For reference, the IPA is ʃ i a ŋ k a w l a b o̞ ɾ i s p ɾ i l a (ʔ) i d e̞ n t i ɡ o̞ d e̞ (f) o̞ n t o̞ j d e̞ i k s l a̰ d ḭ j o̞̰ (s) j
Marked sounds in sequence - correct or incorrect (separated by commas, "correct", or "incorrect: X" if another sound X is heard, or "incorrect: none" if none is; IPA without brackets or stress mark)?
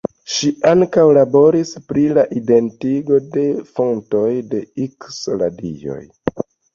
correct, correct, incorrect: none